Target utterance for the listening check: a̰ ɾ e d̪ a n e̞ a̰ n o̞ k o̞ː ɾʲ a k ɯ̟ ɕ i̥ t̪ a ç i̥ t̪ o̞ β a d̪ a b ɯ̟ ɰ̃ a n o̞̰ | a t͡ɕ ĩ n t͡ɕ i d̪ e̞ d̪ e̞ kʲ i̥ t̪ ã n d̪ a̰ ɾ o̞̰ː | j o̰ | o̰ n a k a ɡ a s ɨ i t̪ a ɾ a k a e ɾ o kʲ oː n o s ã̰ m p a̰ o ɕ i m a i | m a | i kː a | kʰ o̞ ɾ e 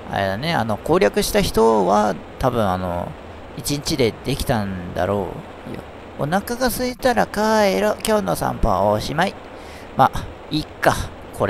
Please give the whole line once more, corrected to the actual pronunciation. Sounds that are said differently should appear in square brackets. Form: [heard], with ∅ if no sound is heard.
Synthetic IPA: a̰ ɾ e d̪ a n e̞ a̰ n o̞ k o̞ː ɾʲ a k ɯ̟ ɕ i̥ t̪ a ç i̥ t̪ o̞ β a [t̪] a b [ɯ̟̃] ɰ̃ a n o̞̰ | [i] t͡ɕ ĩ [ɲ] t͡ɕ i d̪ e̞ d̪ e̞ kʲ i̥ t̪ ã n d̪ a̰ ɾ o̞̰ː | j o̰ | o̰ n a k a ɡ a s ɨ i t̪ a ɾ a k a e ɾ o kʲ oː n o s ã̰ m p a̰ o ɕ i m a i | m a | i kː a | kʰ o̞ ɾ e